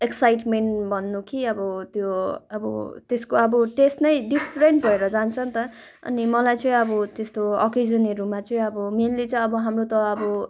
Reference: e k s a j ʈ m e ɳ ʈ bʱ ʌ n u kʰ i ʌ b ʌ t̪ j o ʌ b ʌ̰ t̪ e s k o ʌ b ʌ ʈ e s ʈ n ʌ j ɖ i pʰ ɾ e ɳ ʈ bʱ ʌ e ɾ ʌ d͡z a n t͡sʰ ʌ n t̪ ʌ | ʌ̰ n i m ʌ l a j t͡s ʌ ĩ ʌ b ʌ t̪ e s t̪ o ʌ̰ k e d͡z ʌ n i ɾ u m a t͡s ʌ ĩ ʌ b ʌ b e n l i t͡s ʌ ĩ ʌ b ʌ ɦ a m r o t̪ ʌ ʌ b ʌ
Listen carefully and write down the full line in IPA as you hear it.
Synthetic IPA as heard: e k s a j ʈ m e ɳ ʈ bʱ ʌ nː u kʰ i ʌ b ʌ t̪ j o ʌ b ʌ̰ t̪ e s k o ʌ b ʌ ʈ e s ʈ n ʌ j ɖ i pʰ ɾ e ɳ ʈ bʱ ʌ e ɾ ʌ d͡z a n t͡sʰ ʌ n t̪ ʌ | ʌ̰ n i m ʌ l a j t͡s ʌ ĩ ʌ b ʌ t̪ e s t̪ o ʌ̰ k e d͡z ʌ n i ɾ u m a t͡s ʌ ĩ ʌ b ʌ m e n l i t͡s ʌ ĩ ʌ b ʌ ɦ a m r o t̪ ʌ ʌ b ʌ